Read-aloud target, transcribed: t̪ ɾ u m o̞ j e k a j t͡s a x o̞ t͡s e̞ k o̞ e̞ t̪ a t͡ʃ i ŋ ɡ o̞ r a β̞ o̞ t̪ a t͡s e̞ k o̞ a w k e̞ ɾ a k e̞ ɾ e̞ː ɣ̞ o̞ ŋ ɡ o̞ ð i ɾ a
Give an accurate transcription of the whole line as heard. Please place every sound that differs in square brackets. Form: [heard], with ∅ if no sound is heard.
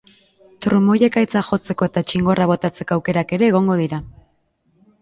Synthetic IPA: t̪ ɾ u m o̞ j e k a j t͡s a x o̞ t͡s e̞ k o̞ e̞ t̪ a t͡ʃ i ŋ ɡ o̞ r a β̞ o̞ t̪ a t͡s e̞ k o̞ a w k e̞ ɾ a k e̞ ɾ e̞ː ɣ̞ o̞ ŋ ɡ o̞ ð i ɾ a